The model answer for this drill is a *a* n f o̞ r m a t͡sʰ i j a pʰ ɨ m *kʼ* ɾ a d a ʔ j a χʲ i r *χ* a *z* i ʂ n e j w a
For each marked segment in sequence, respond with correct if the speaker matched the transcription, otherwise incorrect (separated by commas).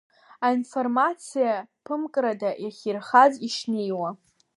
incorrect, correct, correct, correct